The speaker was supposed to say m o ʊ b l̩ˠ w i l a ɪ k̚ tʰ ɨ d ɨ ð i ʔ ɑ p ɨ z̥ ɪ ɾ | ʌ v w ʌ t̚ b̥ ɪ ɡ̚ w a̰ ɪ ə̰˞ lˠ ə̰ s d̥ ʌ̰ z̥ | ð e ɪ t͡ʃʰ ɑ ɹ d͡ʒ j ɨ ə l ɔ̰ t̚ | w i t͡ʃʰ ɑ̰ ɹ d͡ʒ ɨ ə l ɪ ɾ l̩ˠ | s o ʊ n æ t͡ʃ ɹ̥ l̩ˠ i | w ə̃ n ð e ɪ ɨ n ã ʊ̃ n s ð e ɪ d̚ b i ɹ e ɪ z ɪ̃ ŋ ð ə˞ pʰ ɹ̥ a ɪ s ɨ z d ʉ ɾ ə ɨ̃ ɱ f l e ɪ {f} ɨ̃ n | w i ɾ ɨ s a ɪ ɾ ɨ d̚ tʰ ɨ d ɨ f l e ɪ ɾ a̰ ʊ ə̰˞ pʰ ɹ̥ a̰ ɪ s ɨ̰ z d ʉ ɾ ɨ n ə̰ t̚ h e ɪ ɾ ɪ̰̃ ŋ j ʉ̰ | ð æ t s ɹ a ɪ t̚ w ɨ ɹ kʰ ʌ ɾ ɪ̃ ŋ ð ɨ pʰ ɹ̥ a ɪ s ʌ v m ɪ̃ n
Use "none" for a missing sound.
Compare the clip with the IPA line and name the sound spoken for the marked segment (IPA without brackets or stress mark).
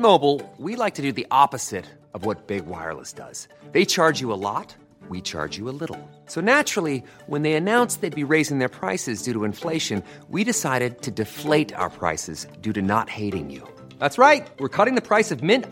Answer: ʃ